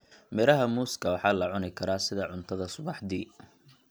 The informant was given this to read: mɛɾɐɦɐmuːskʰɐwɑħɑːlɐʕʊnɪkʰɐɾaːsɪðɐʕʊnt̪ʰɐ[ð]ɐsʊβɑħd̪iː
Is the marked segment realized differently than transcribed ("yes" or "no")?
no